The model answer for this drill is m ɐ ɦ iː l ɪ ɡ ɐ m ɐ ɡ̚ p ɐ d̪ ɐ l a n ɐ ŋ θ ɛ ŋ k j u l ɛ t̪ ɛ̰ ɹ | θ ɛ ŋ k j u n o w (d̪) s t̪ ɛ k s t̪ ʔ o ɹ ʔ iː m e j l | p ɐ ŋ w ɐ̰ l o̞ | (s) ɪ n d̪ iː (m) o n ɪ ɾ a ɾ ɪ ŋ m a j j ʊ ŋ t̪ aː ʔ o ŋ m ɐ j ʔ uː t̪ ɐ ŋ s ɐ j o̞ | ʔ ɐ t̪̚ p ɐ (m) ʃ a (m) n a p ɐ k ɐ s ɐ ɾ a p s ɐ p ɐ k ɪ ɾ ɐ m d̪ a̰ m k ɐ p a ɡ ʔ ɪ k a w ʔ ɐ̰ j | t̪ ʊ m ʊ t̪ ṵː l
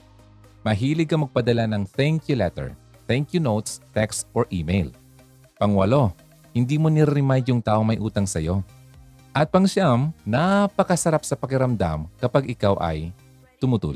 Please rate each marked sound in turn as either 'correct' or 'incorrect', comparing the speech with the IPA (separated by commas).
incorrect, incorrect, correct, incorrect, correct